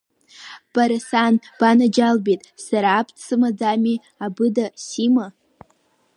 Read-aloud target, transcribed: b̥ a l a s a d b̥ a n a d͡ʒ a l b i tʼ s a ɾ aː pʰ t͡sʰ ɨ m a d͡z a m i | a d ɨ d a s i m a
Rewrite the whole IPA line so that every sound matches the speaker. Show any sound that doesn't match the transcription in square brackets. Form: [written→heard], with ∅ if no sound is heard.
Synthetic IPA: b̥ a [l→ɾ] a s a [d→n] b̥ a n a d͡ʒ a l b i tʼ s a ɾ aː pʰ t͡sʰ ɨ m a d͡z a m i | a [d→b] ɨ d a s i m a